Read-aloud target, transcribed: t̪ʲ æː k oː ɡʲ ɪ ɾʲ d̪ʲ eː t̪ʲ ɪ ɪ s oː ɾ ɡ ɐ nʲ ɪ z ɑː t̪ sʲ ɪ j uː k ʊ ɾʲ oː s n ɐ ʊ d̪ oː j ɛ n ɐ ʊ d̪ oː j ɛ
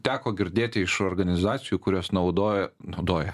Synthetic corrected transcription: t̪ʲ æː k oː ɡʲ ɪ ɾʲ d̪ʲ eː t̪ʲ ɪ ɪ ʃ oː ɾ ɡ ɐ nʲ ɪ z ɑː t̪ sʲ ɪ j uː k ʊ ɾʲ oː s n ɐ ʊ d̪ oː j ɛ n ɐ ʊ d̪ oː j ɛ